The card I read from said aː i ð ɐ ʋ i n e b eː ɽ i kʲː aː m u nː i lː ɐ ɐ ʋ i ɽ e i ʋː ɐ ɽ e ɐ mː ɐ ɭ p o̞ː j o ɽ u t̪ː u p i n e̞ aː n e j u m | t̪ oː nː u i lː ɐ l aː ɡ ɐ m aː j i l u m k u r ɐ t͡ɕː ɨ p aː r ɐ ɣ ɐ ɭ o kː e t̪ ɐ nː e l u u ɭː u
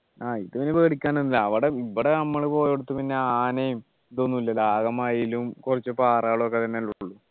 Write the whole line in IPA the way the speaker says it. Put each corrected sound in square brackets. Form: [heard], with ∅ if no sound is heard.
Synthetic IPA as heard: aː i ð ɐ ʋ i n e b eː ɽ i kʲː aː [n] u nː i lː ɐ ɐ ʋ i ɽ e i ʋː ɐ ɽ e ɐ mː ɐ ɭ p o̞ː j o ɽ u t̪ː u p i [nː] e̞ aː n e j u m | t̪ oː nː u i lː ɐ l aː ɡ ɐ m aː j i l u m k u r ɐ t͡ɕː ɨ p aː r ɐ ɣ ɐ ɭ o kː e t̪ ɐ nː e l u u ɭː u